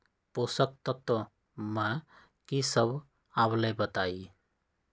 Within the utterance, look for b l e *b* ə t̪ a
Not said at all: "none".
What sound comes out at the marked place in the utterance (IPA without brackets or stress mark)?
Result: b